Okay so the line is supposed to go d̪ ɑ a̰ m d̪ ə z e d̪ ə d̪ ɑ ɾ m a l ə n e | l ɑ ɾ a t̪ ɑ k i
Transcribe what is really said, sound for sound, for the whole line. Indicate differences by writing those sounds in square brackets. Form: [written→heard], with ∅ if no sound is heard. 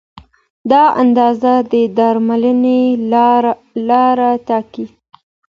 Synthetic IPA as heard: d̪ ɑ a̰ [m→n] d̪ [ə→ɑ] z [e→a] d̪ ə d̪ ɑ ɾ m a l ə n e | l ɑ ɾ a t̪ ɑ k i